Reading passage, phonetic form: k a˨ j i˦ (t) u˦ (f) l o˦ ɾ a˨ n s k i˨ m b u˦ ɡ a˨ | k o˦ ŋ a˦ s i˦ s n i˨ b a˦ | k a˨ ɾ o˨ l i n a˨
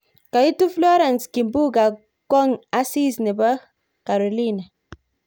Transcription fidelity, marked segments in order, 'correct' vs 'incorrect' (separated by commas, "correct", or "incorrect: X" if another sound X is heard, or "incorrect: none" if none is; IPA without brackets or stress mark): correct, correct